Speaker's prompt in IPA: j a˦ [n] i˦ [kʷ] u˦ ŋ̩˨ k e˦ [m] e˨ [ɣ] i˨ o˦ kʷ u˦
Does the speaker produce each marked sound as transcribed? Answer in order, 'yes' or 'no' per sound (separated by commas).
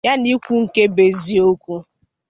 yes, yes, no, no